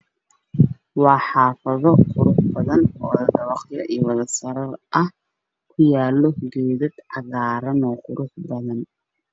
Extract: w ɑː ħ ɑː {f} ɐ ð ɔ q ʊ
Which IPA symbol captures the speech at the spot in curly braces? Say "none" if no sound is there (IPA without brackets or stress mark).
f